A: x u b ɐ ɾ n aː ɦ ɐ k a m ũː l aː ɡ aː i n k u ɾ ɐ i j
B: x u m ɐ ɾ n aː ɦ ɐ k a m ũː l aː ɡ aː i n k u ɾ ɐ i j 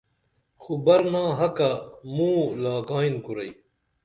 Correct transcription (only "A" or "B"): A